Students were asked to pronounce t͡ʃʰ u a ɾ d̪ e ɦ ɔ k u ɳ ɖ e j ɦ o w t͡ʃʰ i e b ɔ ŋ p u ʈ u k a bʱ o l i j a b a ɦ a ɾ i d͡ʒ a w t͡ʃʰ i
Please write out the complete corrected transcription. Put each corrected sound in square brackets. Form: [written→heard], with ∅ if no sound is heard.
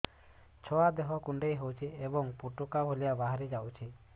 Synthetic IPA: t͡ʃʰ [u→ɔ] a [ɾ→∅] d̪ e ɦ ɔ k u ɳ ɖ e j ɦ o w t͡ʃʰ i e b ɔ ŋ p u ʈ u k a bʱ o l i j a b a ɦ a ɾ i d͡ʒ a w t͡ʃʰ i